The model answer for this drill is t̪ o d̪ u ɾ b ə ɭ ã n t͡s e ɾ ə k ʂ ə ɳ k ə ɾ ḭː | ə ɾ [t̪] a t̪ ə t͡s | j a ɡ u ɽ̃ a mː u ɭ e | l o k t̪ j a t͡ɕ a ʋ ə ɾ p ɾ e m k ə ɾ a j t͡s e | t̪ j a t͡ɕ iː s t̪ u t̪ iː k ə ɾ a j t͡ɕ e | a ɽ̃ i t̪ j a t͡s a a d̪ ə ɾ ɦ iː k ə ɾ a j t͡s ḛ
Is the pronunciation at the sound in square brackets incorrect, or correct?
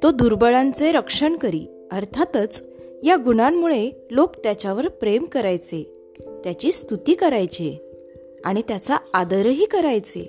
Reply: incorrect